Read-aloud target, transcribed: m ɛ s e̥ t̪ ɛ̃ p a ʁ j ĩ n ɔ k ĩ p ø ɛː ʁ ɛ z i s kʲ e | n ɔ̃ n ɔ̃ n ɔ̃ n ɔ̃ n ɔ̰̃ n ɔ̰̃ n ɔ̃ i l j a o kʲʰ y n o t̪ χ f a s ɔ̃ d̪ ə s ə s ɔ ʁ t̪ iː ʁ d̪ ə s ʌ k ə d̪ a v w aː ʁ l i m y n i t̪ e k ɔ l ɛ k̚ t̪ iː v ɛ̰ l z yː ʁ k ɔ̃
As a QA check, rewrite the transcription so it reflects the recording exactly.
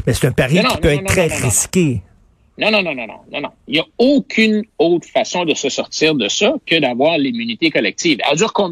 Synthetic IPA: m ɛ s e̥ t̪ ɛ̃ p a ʁ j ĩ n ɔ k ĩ p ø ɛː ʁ ɛ ʁ i s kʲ e | n ɔ̃ n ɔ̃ n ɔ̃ n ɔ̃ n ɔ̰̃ n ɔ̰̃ n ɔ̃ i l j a o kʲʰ y n o t̪ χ f a s ɔ̃ d̪ ə s ə s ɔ ʁ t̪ iː ʁ d̪ ə s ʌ k ə d̪ a v w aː ʁ l i m y n i t̪ e k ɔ l ɛ k̚ t̪ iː v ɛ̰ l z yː ʁ k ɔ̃